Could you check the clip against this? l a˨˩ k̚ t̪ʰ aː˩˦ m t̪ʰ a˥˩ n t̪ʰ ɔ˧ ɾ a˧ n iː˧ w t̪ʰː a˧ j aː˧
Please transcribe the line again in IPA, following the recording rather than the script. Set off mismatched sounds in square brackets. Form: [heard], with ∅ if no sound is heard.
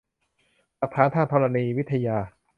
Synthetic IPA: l a˨˩ k̚ t̪ʰ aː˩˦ [n] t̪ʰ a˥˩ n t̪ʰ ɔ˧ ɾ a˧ n iː˧ w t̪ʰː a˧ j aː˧

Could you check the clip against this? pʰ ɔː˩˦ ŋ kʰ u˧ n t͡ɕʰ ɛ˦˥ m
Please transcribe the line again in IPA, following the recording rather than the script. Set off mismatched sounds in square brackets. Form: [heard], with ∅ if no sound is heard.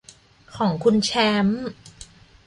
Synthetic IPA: [kʰ] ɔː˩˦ ŋ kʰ u˧ n t͡ɕʰ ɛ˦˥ m

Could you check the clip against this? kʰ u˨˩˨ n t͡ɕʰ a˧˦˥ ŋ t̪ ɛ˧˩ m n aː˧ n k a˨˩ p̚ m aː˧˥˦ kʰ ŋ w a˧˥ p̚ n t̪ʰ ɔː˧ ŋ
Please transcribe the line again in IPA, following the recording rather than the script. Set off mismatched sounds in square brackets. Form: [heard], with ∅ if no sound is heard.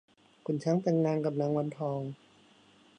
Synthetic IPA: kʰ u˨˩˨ n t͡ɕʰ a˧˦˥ ŋ t̪ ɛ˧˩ [ŋ] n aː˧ [ŋ] k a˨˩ p̚ [n] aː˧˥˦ [∅] ŋ w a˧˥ [∅] n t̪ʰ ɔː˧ ŋ

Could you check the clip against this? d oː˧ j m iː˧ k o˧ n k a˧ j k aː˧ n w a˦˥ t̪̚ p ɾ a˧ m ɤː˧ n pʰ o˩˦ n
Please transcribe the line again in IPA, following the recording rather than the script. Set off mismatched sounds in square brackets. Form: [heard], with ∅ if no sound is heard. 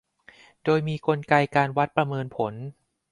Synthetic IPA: d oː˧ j m iː˧ k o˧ n k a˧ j k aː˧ n w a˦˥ t̪̚ p ɾ a˧ m ɤː˧ n pʰ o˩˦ n

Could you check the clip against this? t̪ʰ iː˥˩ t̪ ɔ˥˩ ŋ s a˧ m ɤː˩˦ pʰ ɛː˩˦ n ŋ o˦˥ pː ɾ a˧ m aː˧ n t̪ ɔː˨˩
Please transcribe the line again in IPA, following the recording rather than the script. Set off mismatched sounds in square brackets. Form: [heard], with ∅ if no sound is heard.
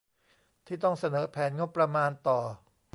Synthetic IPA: t̪ʰ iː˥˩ t̪ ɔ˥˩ ŋ s a˧ [n] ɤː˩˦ pʰ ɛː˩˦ n ŋ o˦˥ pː ɾ a˧ m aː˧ n t̪ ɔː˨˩

